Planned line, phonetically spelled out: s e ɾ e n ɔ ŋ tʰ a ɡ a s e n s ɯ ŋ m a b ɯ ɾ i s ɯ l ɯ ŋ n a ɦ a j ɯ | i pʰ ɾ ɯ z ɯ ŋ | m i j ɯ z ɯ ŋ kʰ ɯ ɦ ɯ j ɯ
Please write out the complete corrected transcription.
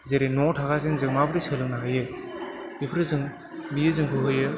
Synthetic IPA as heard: z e ɾ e n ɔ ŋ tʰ a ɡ a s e n z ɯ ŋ m a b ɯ ɾ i s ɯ l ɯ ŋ n a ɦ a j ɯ | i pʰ ɾ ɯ z ɯ ŋ | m i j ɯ z ɯ ŋ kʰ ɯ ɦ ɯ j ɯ